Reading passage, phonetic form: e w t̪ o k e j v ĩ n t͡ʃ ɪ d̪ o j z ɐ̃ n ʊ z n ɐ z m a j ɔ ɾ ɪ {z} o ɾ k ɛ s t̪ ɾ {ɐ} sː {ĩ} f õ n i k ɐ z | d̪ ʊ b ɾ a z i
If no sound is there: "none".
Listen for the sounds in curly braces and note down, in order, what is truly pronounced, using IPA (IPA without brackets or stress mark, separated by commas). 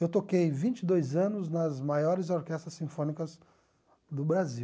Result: z, ɐ, ĩ